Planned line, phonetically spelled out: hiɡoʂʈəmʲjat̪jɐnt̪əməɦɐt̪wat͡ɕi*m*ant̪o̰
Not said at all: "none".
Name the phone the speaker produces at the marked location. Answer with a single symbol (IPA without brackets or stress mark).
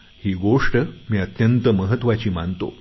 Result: m